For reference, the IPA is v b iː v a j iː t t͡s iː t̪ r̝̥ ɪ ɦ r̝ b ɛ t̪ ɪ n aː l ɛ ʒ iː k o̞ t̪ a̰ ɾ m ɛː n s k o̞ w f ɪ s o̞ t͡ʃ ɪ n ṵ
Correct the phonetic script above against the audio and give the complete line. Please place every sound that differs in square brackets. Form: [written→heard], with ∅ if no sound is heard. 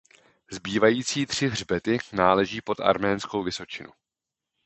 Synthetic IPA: [v→z] b iː v a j iː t t͡s iː t̪ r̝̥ ɪ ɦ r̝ b ɛ t̪ ɪ n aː l ɛ ʒ iː [k→p] o̞ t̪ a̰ ɾ m ɛː n s k o̞ w [f→v] ɪ s o̞ t͡ʃ ɪ n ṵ